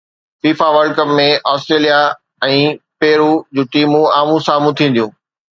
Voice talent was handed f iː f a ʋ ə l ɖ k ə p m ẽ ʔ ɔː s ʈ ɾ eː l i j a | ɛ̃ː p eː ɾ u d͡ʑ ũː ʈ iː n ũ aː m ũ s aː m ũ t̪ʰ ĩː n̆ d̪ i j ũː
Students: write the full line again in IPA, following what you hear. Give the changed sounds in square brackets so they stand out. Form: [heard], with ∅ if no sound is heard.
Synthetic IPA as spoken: f iː f a ʋ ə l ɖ k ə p m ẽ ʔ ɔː s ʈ ɾ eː l i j a | ɛ̃ː p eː ɾ u d͡ʑ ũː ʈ iː [m] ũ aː m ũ s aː m ũ t̪ʰ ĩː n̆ d̪ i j ũː